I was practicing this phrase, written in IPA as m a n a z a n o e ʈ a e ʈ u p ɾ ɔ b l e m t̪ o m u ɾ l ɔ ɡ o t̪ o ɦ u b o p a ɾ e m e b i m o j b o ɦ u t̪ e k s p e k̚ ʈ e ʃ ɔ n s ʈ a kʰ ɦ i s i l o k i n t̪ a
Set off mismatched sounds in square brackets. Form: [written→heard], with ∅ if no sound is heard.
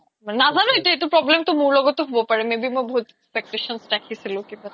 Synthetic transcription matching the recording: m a n a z a n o e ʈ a e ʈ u p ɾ ɔ b l e m t̪ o m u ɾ l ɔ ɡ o t̪ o ɦ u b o p a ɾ e m e b i m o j b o ɦ u t̪ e k s p e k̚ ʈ e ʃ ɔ n s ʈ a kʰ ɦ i s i l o k i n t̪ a